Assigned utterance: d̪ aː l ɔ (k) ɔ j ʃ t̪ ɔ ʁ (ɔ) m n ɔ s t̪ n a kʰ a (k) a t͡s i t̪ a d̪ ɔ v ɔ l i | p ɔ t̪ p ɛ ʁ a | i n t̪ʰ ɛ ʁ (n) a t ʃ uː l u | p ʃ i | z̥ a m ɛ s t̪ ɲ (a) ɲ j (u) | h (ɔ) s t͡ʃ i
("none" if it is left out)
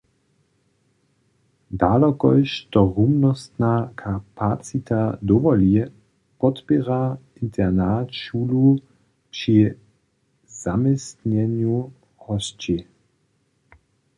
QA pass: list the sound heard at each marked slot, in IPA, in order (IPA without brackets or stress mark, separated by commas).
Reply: k, u, p, n, ɛ, u, ɔ